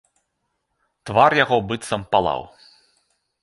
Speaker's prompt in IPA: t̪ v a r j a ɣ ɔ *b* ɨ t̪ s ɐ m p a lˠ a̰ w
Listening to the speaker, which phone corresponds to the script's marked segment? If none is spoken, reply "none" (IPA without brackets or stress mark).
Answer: b